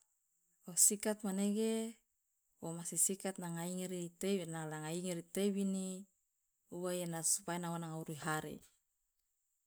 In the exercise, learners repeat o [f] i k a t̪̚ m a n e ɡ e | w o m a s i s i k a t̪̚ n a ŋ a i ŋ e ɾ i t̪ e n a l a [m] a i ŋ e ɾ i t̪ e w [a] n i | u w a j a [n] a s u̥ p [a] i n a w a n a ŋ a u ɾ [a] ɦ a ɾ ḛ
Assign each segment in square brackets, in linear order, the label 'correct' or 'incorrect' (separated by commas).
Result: incorrect, incorrect, incorrect, correct, correct, incorrect